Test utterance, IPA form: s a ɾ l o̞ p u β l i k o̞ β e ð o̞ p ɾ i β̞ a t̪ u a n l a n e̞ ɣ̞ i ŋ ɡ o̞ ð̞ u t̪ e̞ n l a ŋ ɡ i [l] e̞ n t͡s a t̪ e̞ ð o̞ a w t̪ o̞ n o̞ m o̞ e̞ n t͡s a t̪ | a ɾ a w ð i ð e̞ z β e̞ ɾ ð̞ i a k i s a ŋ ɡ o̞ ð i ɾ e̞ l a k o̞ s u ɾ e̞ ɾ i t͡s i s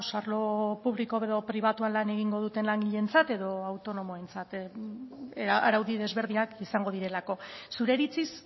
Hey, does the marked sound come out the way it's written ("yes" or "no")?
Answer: no